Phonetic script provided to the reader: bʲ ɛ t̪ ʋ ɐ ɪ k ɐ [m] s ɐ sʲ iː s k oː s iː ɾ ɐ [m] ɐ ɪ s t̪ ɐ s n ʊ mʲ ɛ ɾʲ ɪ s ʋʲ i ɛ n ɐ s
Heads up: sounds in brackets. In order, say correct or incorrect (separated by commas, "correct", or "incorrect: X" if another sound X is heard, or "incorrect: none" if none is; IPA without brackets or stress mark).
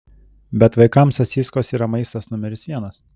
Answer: correct, correct